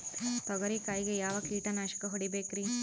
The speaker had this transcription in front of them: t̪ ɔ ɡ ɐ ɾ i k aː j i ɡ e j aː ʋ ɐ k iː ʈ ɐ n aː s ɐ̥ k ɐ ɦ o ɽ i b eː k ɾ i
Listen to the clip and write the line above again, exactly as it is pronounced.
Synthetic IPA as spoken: t̪ ɔ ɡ ɐ ɾ i k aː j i ɡ e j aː ʋ ɐ k iː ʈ ɐ n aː ʃ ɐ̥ k ɐ ɦ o ɽ i b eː k ɾ i